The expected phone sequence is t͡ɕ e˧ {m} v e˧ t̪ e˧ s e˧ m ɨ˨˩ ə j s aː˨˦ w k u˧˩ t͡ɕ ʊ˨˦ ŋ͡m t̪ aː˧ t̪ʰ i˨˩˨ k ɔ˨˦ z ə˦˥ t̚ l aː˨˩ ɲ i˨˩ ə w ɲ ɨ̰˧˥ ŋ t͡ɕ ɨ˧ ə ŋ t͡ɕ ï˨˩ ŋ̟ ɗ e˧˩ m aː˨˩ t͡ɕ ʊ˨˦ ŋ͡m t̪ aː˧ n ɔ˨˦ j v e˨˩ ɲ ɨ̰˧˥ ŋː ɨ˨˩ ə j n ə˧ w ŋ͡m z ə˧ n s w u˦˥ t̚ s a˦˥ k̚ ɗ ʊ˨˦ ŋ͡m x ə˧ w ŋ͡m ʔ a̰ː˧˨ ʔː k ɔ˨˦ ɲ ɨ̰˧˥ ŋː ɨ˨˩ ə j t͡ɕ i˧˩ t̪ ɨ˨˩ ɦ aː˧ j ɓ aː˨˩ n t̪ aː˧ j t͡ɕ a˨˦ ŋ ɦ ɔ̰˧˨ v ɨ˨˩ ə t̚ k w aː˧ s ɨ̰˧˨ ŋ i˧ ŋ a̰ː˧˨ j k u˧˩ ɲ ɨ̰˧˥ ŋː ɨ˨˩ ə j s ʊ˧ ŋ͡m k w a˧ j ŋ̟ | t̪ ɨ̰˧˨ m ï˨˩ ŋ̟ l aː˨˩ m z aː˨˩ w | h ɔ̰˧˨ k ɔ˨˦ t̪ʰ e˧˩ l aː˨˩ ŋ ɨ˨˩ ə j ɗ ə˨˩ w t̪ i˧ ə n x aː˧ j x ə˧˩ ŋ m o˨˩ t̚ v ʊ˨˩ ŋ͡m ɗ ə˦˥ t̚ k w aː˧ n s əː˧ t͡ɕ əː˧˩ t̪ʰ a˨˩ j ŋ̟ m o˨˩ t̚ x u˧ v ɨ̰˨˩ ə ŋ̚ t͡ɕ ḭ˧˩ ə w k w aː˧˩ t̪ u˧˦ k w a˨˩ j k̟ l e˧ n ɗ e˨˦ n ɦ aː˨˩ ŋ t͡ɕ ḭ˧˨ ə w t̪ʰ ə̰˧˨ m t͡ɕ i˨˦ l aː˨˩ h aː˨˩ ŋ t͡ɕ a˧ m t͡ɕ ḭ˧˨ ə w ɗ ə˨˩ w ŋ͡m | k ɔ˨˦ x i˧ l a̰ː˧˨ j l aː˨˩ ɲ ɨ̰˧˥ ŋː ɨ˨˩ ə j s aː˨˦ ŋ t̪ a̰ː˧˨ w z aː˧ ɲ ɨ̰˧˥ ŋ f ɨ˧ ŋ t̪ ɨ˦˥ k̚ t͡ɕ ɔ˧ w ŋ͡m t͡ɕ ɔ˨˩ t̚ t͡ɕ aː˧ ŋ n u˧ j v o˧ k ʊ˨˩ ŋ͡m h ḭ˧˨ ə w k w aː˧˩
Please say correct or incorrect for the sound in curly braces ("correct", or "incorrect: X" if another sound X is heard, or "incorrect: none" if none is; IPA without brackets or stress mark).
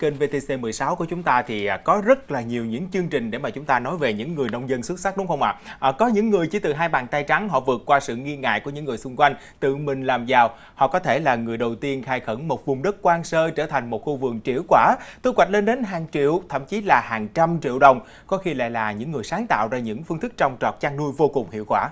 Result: incorrect: n